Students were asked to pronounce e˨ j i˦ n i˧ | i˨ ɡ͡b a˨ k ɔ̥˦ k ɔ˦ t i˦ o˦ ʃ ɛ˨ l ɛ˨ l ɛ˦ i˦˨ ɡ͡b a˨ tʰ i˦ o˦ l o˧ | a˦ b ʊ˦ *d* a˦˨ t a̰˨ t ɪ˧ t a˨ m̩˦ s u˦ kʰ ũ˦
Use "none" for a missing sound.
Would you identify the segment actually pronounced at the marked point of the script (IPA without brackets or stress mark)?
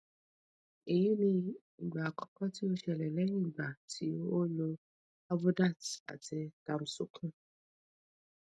d